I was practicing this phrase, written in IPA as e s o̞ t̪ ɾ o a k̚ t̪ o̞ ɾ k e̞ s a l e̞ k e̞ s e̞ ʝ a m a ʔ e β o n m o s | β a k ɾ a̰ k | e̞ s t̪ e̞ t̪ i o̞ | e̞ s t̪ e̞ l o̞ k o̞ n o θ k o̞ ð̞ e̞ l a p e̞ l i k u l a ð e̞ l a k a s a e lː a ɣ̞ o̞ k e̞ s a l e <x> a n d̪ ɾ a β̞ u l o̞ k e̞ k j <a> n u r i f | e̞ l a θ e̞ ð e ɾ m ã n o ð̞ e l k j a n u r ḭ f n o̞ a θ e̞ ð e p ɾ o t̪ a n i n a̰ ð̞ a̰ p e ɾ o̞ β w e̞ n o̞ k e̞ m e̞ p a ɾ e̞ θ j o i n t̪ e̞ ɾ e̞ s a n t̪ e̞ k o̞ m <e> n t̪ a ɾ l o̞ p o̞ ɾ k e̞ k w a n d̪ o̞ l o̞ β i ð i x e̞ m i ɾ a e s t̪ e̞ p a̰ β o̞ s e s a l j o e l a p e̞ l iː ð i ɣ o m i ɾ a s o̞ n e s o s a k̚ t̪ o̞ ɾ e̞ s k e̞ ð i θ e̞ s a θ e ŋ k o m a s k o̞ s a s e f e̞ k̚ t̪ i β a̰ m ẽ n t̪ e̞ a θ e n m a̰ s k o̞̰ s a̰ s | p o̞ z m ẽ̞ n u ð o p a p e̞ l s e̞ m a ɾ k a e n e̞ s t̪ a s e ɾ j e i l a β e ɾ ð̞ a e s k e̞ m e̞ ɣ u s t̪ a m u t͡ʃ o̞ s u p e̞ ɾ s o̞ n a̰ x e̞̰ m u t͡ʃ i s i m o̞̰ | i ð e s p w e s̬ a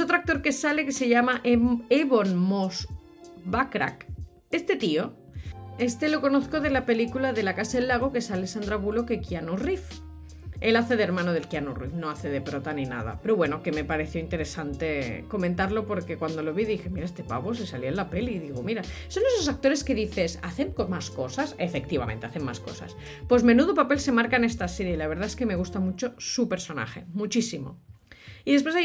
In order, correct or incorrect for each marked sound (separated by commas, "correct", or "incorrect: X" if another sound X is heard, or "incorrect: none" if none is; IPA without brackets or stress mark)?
incorrect: s, correct, incorrect: ẽ